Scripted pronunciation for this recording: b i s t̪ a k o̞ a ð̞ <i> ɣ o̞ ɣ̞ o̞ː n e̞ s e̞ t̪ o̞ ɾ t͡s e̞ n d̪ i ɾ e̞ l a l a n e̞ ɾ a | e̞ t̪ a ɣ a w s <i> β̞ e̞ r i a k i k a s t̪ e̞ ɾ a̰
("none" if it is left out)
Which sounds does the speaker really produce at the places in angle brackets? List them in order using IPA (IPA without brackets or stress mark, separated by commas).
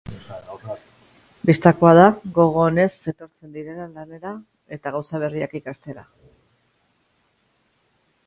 a, a